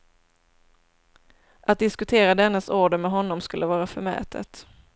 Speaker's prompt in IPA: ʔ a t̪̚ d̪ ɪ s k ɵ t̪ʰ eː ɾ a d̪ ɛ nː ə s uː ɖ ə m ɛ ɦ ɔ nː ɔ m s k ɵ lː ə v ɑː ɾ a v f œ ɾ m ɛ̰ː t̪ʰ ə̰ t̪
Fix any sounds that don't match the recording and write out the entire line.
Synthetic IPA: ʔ a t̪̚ d̪ ɪ s k ɵ t̪ʰ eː ɾ a d̪ ɛ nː ə s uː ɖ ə m ɛ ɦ ɔ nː ɔ m s k ɵ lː ə v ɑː ɾ a f œ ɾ m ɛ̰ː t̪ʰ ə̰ t̪

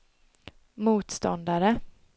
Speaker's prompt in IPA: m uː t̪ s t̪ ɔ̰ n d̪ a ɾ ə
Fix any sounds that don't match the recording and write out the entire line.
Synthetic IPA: m uː t̪ s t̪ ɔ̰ n d̪ a ɾ ə

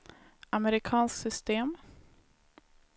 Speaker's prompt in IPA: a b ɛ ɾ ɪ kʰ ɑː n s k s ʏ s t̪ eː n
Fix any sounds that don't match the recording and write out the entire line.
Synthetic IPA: a m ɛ ɾ ɪ kʰ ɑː n s k s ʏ s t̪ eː m

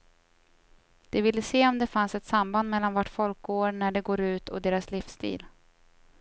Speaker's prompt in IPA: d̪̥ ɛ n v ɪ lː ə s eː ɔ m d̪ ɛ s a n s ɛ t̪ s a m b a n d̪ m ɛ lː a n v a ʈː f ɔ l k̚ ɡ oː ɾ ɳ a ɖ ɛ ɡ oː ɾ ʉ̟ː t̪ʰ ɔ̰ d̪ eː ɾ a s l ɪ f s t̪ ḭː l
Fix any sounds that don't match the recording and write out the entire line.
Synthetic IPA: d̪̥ ɛ v ɪ lː ə s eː ɔ m d̪ ɛ f a n s ɛ t̪ s a m b a n d̪ m ɛ lː a n v a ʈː f ɔ l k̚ ɡ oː ɾ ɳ æ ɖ ɛ ɡ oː ɾ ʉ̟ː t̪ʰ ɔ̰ d̪ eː ɾ a s l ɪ f s t̪ ḭː l

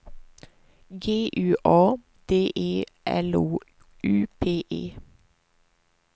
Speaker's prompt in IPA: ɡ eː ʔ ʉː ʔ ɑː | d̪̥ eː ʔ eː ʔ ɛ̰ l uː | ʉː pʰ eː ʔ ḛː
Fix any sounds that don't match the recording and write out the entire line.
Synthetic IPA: ɡ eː ʔ ʉː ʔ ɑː | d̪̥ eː ʔ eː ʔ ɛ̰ l uː | ʉː pʰ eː ʔ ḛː

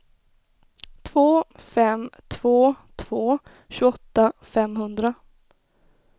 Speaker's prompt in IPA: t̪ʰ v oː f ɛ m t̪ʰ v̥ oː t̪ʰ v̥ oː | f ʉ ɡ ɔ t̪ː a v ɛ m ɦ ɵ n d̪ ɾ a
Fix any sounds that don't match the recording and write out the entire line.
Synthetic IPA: t̪ʰ v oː f ɛ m t̪ʰ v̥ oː t̪ʰ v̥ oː | ɕ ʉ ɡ ɔ t̪ː a f ɛ m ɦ ɵ n d̪ ɾ a

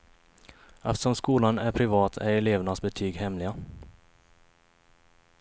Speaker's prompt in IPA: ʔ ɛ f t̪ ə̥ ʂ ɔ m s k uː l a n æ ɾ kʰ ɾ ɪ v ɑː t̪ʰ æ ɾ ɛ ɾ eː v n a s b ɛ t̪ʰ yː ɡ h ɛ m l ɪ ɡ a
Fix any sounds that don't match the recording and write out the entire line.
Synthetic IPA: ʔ ɛ f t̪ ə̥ ʂ ɔ m s k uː l a n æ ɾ pʰ ɾ ɪ v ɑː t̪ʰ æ ɾ ɛ l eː v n a s b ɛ t̪ʰ yː ɡ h ɛ m l ɪ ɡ a

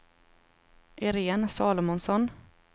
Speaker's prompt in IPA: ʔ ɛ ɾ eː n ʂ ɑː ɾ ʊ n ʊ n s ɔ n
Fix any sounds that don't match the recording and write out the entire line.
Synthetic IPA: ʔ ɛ ɾ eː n s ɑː l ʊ m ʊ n s ɔ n

